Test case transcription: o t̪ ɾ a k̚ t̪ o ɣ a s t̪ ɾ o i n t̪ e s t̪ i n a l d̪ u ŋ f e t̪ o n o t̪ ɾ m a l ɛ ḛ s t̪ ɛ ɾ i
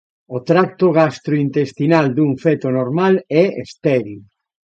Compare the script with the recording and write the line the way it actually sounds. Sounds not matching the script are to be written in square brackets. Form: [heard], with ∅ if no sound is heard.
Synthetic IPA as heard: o t̪ ɾ a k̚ t̪ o ɣ a s t̪ ɾ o i n t̪ e s t̪ i n a l d̪ u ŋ f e t̪ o n o [∅] ɾ m a l ɛ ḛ s t̪ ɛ ɾ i